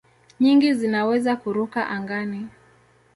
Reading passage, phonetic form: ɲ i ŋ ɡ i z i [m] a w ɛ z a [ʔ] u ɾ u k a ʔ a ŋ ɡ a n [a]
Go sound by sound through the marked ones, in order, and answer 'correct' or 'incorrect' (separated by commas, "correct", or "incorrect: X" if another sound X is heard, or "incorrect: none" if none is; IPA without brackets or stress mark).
incorrect: n, incorrect: k, incorrect: i